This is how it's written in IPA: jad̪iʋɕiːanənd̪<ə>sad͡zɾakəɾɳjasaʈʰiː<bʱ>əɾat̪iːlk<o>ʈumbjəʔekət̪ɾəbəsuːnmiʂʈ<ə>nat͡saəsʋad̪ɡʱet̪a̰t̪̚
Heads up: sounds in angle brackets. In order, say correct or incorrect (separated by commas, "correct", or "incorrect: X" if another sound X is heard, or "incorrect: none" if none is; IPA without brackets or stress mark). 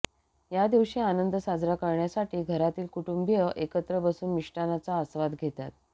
correct, incorrect: ɡʱ, incorrect: u, incorrect: a